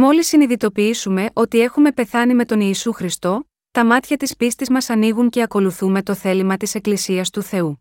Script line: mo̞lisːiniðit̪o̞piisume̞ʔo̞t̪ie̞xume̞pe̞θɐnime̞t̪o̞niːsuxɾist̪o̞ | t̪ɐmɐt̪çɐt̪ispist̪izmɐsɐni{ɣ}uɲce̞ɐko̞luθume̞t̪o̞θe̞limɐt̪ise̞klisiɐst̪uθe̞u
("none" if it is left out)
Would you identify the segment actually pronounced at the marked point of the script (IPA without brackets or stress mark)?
ɣ